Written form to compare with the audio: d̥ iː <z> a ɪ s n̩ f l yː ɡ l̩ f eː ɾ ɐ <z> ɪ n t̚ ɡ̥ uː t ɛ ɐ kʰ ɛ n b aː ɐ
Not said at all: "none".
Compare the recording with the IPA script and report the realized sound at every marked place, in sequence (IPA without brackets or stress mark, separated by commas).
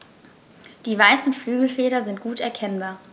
v, z